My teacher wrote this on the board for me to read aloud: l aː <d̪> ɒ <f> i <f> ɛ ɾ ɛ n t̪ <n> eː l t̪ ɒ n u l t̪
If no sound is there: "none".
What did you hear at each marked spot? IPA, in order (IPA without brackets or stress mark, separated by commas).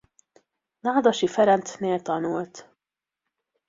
d̪, ʃ, f, n